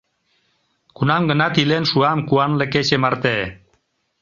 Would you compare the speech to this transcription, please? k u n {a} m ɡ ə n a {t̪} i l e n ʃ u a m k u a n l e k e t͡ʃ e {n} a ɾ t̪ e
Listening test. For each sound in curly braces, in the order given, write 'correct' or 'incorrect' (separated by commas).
correct, correct, incorrect